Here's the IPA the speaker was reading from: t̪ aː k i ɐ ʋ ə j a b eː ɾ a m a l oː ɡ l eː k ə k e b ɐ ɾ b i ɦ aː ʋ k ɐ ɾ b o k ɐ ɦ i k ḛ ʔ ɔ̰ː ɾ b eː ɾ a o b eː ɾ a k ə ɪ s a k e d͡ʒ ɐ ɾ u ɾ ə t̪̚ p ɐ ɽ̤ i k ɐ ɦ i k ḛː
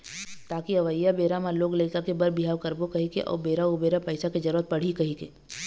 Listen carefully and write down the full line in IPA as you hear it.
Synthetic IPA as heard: t̪ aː k i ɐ ʋ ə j a b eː ɾ a m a l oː ɡ l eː k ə k e b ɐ ɾ b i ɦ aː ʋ k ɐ ɾ b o k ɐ ɦ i k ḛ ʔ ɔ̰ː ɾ b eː ɾ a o b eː ɾ a p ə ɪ s a k e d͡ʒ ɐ ɾ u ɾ ə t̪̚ p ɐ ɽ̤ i k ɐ ɦ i k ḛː